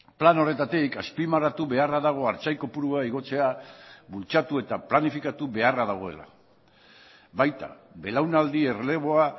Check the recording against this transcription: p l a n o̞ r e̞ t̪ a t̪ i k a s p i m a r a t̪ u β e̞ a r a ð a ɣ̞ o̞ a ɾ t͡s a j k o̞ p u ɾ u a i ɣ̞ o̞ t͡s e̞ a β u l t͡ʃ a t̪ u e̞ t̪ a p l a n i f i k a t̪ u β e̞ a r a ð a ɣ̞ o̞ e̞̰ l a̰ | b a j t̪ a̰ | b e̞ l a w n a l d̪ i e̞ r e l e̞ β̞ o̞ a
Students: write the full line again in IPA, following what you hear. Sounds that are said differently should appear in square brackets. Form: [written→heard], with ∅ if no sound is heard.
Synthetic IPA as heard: p l a n o̞ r e̞ t̪ a t̪ i k a s p i m a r a t̪ u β e̞ a r a ð a ɣ̞ o̞ a ɾ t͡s a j k o̞ p u ɾ u a i ɣ̞ o̞ t͡s e̞ a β u l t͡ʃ a t̪ u e̞ t̪ a p l a n i f i k a t̪ u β e̞ a r a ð a ɣ̞ o̞ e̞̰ l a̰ | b a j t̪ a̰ | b e̞ l a w n a l d̪ i e̞ r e l e̞ β̞ o̞ a